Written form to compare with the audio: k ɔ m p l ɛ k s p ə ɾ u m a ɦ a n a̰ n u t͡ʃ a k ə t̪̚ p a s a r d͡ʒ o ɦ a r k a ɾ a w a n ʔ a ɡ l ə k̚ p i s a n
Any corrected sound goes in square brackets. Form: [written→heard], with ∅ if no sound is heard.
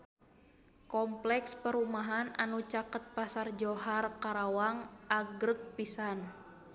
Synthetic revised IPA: k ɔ m p l ɛ k s p ə ɾ u m a ɦ a n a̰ n u t͡ʃ a k ə t̪̚ p a s a r d͡ʒ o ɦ a r k a ɾ a w a [n→ŋ] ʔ a ɡ [l→ɾ] ə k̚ p i s a n

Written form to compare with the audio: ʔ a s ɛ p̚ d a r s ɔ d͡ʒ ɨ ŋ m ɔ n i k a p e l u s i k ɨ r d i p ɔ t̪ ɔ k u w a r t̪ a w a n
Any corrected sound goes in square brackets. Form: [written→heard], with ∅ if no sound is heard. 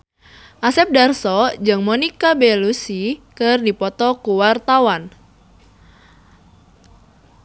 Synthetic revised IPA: ʔ a s ɛ p̚ d a r s ɔ d͡ʒ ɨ ŋ m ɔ n i k a [p→b] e l u s i k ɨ r d i p ɔ t̪ ɔ k u w a r t̪ a w a n

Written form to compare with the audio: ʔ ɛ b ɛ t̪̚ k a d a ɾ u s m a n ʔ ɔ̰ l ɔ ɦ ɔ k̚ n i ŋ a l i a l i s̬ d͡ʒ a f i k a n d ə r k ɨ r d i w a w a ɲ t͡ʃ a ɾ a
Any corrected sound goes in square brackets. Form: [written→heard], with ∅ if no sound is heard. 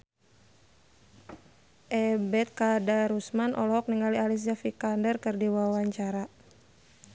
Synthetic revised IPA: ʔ ɛ b ɛ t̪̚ k a d a ɾ u s m a n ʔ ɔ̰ l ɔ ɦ ɔ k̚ n i ŋ a l i a l i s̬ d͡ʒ a f i k a n d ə r k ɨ r d i w a w a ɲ t͡ʃ a ɾ a

